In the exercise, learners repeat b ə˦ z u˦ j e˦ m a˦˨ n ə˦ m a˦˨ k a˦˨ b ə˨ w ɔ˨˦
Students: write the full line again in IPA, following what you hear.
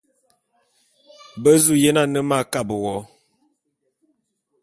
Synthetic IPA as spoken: b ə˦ z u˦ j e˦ n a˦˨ n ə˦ m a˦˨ k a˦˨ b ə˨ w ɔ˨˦